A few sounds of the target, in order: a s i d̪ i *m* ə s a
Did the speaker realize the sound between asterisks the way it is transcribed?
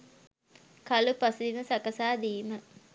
yes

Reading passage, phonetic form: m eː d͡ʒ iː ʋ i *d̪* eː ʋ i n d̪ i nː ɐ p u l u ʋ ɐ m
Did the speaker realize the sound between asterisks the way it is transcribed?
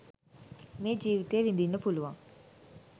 no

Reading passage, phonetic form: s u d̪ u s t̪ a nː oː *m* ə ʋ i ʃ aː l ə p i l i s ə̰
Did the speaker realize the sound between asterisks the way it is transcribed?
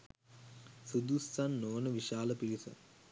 no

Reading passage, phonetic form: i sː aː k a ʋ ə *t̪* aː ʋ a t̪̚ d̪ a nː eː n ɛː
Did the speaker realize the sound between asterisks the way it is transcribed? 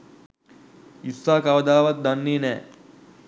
no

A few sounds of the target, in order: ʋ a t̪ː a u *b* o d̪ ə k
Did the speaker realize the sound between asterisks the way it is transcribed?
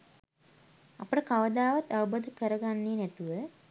yes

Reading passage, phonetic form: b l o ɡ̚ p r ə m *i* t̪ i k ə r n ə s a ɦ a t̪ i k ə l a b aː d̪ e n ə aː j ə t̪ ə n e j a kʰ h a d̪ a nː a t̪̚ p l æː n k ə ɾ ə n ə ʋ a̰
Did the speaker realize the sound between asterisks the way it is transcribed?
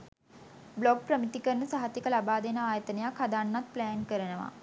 yes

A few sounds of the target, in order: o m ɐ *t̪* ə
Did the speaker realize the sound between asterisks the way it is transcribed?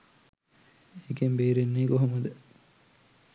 no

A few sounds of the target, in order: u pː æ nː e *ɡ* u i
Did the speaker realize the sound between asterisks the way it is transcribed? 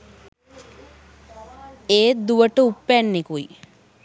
no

